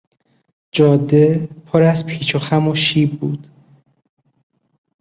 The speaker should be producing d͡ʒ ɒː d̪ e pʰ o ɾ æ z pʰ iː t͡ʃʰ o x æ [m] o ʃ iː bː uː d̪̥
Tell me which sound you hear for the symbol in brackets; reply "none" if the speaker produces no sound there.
m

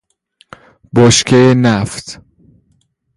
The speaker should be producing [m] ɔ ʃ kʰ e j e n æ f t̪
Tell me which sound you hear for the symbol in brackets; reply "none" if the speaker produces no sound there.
b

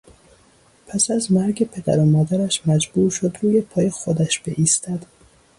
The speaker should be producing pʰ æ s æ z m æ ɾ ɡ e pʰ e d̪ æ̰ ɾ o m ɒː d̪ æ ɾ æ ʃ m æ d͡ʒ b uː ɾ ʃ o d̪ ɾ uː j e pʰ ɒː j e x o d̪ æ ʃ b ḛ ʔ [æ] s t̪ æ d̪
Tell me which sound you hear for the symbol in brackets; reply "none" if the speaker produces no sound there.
i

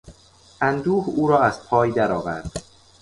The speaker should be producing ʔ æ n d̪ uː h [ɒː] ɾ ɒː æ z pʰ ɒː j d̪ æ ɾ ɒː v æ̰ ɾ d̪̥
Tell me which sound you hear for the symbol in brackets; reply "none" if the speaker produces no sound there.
uː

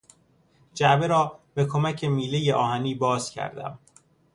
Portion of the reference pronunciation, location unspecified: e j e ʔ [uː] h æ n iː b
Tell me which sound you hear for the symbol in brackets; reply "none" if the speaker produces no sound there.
ɒː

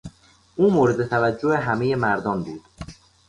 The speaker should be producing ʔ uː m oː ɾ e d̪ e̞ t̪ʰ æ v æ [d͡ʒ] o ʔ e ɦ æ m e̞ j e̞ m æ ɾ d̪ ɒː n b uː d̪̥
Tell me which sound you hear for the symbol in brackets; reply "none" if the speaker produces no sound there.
d͡ʒː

